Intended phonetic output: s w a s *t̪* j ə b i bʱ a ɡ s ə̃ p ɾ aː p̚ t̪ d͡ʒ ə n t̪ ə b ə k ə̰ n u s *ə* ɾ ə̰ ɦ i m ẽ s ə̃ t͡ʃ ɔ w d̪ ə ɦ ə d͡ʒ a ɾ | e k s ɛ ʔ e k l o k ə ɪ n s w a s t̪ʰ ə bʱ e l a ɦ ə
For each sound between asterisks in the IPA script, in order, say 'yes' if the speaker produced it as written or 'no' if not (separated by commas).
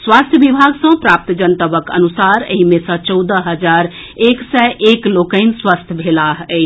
no, no